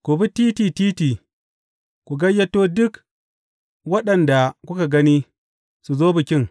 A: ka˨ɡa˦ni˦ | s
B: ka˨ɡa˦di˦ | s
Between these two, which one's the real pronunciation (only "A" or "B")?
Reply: A